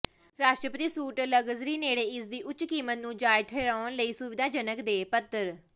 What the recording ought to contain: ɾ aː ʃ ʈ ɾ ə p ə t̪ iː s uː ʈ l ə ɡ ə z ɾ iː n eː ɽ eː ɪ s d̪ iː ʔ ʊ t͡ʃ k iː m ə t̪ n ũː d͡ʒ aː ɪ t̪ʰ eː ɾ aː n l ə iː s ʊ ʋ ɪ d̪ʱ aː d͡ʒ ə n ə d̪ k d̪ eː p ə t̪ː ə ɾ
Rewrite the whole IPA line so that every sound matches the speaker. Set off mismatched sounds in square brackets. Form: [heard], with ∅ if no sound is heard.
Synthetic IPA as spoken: ɾ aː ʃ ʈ ɾ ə p ə t̪ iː s uː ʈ l ə ɡ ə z ɾ iː n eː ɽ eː ɪ s d̪ iː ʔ ʊ t͡ʃ k iː m ə t̪ n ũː d͡ʒ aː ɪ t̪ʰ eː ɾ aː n l ə iː s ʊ ʋ ɪ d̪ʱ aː d͡ʒ ə n ə [∅] k d̪ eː p ə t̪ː ə ɾ